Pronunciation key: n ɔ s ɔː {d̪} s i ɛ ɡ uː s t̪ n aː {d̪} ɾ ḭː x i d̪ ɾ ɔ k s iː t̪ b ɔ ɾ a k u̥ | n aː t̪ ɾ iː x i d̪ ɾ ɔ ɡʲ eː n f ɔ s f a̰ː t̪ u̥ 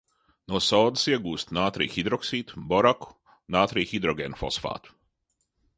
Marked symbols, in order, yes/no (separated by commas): yes, no